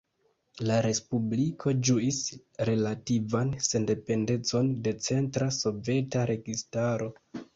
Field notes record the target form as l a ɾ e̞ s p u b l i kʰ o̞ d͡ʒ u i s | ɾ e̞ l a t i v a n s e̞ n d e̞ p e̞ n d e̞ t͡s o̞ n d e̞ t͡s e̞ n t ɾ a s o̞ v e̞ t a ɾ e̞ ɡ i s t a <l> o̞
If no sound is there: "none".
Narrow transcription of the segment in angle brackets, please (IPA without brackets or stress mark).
ɾ